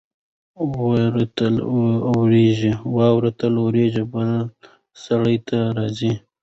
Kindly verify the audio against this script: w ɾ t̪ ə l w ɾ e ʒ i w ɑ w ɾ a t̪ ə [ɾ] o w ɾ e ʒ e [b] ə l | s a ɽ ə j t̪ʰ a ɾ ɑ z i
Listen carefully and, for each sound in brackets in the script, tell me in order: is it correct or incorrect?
incorrect, correct

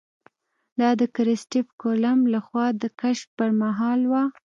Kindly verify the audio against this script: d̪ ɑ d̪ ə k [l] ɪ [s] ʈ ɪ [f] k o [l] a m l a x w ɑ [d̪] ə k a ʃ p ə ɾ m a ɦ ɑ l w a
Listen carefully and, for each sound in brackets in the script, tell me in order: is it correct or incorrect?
incorrect, correct, correct, correct, correct

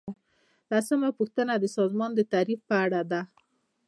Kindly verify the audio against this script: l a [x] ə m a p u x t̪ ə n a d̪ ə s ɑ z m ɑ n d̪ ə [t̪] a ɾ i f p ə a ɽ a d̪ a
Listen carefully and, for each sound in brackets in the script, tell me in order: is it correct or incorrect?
incorrect, correct

